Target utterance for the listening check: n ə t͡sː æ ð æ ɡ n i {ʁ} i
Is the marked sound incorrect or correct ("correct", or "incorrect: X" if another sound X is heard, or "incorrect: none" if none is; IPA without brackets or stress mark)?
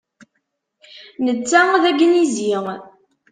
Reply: incorrect: z